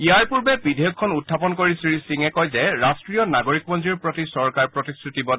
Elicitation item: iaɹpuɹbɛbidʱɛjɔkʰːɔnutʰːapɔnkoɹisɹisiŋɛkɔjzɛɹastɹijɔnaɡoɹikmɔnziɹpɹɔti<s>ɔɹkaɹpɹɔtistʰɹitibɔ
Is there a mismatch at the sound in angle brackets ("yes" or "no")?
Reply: no